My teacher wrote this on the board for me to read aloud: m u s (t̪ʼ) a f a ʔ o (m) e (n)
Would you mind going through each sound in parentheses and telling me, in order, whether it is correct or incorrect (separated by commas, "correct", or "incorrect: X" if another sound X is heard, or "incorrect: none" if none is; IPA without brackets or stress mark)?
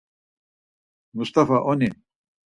incorrect: t̪, incorrect: n, incorrect: none